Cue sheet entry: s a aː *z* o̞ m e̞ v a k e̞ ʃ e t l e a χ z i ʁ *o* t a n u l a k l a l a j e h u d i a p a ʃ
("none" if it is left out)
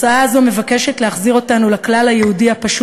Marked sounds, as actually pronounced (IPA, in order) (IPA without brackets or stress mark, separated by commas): z, o